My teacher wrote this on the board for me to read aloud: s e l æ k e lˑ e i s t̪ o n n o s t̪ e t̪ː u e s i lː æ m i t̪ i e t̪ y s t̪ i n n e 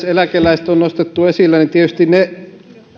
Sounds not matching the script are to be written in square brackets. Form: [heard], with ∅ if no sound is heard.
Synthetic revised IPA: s e l æ k e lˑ [æ] i s t̪ o n n o s t̪ e t̪ː u e s i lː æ [n] i t̪ i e t̪ y s t̪ i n n e